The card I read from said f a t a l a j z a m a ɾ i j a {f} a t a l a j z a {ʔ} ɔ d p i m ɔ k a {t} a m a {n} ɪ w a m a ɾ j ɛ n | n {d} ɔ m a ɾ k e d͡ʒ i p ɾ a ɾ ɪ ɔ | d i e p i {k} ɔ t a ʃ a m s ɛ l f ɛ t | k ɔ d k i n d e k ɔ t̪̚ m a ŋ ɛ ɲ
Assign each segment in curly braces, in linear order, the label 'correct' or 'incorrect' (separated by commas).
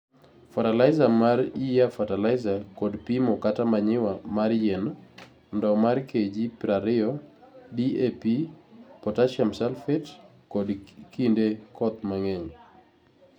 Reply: correct, incorrect, correct, incorrect, correct, incorrect